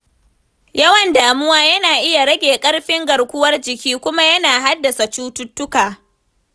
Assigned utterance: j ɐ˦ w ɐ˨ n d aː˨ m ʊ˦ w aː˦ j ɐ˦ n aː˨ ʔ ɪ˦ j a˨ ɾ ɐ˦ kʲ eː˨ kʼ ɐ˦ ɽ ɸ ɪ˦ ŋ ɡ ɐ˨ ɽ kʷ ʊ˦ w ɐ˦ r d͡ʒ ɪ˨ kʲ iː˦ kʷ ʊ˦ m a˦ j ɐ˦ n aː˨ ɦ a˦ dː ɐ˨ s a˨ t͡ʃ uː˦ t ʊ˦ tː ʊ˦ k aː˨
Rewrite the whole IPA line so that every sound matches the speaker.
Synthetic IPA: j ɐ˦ w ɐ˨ n d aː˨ m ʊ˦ w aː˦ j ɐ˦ n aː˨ ʔ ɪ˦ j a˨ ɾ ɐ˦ ɡʲ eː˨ kʼ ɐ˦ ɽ ɸ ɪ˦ ŋ ɡ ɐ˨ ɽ kʷ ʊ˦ w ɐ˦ r d͡ʒ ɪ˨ kʲ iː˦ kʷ ʊ˦ m a˦ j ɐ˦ n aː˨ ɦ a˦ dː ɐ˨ s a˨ t͡ʃ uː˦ t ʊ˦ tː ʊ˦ k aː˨